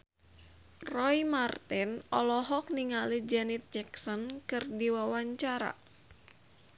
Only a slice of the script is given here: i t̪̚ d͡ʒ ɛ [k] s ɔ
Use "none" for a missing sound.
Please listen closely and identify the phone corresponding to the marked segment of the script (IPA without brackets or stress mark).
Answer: k